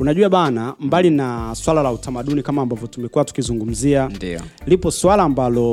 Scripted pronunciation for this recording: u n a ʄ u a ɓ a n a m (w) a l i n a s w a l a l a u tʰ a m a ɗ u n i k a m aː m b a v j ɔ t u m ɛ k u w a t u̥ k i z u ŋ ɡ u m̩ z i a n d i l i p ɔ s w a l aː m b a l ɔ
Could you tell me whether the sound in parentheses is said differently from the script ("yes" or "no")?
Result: yes